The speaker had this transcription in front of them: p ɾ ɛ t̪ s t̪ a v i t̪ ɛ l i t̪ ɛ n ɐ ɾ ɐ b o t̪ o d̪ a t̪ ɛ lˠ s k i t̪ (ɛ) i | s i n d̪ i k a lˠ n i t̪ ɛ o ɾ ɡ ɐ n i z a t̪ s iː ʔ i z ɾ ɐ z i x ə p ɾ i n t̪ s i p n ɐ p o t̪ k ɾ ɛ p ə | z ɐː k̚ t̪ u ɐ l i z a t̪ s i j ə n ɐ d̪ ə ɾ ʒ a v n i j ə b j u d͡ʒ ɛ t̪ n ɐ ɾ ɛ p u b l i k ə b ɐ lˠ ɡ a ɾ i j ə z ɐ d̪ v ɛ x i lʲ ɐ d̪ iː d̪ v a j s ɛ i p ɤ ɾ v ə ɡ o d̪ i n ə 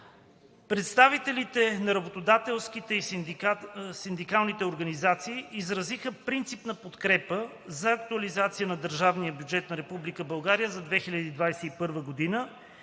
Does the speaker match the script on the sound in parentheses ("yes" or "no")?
yes